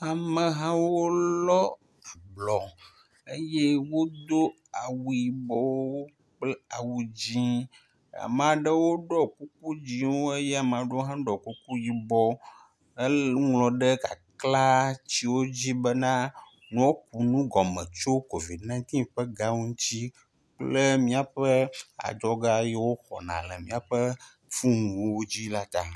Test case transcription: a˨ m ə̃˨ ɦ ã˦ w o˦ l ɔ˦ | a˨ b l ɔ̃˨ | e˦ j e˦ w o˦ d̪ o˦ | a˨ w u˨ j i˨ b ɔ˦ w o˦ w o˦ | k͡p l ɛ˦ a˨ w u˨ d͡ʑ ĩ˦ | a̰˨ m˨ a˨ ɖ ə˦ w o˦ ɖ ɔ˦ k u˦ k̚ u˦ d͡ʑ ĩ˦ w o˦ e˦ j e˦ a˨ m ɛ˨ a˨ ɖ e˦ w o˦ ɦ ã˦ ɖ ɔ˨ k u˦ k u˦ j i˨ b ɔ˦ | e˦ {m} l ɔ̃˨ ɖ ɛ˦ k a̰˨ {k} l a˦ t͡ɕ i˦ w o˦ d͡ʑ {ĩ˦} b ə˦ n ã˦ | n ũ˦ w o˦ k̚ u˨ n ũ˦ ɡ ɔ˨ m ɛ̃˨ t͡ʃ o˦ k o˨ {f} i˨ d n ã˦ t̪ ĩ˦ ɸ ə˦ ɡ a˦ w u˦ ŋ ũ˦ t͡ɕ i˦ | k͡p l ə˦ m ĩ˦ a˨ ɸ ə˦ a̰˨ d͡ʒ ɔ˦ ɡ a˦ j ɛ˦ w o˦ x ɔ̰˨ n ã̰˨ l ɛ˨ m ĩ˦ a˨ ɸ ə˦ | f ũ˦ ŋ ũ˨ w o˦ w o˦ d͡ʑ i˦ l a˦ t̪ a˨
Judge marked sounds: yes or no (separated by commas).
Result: no, yes, no, no